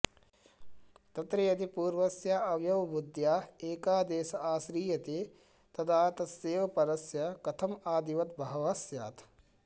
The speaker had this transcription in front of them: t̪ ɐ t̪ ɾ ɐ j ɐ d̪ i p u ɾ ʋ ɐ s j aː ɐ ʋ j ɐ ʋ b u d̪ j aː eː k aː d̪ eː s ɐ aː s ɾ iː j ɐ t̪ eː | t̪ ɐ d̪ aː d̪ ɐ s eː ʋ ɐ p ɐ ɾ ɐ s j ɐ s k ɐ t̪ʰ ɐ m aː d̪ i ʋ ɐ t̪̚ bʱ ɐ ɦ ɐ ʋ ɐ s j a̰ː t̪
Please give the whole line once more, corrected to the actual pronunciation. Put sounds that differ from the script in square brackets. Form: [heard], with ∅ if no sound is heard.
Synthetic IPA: t̪ ɐ t̪ ɾ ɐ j ɐ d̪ i p [uː] ɾ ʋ ɐ s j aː ɐ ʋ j ɐ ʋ b u d̪ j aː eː k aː d̪ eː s ɐ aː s ɾ iː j ɐ t̪ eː | t̪ ɐ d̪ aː [t̪] ɐ s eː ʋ ɐ p ɐ ɾ ɐ s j ɐ [∅] k ɐ t̪ʰ ɐ m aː d̪ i ʋ ɐ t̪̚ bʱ ɐ ɦ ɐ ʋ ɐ s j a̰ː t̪